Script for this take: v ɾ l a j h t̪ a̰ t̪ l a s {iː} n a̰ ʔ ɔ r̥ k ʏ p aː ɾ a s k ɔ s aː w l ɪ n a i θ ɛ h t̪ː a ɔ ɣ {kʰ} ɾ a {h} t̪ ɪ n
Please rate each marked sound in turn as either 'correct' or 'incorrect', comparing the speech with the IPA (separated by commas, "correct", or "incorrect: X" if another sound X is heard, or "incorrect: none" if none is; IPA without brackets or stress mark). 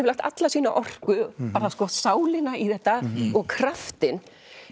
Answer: correct, correct, incorrect: f